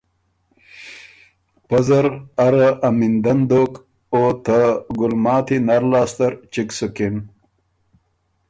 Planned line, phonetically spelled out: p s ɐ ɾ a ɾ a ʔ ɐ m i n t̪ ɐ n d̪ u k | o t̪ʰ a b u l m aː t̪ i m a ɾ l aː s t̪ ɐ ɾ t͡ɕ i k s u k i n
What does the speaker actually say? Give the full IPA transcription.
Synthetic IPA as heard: p z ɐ ɾ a ɾ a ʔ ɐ m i n d̪ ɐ n d̪ o k | o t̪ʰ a ɡ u l m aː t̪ i n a ɾ l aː s t̪ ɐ ɾ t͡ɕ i k s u k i n